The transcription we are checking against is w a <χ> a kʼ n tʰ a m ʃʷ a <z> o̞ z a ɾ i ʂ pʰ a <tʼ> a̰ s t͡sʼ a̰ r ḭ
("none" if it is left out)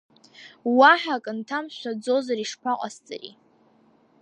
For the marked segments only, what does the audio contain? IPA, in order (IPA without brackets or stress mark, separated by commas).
ħ, d͡z, qʼ